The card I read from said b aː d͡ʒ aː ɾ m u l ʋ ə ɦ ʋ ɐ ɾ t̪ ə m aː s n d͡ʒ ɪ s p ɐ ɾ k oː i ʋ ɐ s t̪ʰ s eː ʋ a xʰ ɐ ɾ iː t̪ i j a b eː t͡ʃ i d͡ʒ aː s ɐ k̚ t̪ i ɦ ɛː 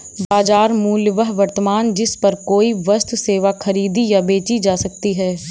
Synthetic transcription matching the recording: b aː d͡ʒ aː ɾ m uː l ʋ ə ɦ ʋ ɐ ɾ t̪ ə m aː n d͡ʒ ɪ s p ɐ ɾ k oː i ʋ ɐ s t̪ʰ s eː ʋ a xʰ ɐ ɾ iː d̪ i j a b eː t͡ʃ i d͡ʒ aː s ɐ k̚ t̪ i ɦ ɛː